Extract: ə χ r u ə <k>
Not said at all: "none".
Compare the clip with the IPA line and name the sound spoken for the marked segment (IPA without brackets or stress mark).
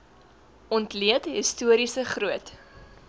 t